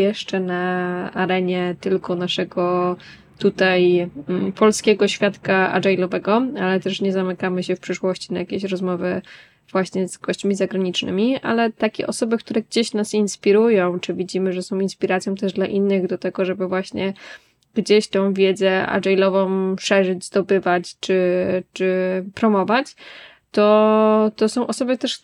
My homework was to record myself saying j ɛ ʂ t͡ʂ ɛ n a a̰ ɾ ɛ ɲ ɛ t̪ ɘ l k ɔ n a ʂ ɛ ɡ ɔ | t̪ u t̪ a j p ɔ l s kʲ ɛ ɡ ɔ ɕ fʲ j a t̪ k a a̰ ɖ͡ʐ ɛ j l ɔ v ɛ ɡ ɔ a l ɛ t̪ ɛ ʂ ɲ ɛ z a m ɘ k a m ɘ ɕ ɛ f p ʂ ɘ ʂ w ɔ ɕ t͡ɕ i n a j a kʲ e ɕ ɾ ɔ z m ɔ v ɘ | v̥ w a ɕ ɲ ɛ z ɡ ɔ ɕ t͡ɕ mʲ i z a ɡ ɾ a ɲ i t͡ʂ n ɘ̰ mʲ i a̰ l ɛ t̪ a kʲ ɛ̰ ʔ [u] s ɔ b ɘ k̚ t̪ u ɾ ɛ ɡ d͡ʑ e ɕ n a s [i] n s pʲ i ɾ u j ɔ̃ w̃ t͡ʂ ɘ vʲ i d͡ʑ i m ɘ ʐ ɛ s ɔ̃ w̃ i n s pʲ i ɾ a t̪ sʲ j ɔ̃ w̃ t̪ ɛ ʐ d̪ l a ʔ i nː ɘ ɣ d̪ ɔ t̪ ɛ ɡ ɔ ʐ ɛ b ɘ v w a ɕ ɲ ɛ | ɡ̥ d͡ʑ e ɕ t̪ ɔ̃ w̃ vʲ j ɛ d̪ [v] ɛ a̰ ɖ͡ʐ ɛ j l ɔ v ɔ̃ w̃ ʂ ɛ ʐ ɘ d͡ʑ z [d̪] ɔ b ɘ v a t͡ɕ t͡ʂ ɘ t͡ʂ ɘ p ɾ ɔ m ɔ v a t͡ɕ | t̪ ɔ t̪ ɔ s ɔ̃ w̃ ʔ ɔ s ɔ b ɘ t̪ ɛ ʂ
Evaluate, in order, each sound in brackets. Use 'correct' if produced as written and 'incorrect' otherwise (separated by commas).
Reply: incorrect, correct, incorrect, correct